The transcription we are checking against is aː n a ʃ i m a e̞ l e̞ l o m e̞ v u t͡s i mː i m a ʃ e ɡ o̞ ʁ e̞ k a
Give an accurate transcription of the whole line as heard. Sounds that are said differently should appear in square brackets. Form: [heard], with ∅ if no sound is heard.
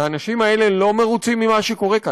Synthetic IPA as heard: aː n a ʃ i m a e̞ l e̞ l o m e̞ [ʁ] u t͡s i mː i m a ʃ e [k] o̞ ʁ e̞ k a